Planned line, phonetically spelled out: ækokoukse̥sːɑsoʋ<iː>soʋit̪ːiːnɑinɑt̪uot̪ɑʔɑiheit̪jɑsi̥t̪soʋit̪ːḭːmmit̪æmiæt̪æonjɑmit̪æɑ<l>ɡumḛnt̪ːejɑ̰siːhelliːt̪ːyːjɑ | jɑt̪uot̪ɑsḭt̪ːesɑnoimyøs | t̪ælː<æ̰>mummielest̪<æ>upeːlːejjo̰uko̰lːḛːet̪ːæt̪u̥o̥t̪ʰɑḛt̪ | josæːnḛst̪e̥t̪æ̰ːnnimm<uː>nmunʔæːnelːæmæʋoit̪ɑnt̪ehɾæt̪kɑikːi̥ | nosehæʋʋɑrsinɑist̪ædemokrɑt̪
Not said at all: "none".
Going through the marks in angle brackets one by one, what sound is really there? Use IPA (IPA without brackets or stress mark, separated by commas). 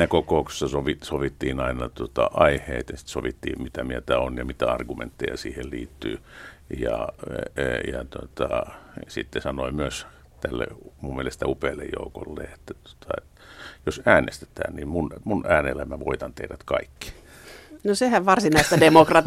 i, r, ḛ, æ, u